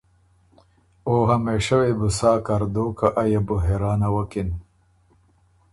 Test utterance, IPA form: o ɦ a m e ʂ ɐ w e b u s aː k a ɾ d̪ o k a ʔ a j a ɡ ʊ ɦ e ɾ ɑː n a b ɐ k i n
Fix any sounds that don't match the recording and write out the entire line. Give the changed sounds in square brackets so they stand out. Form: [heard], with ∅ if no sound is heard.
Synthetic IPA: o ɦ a m e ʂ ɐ w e b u s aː k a ɾ d̪ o k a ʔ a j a [b] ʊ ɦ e ɾ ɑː n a [w] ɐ k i n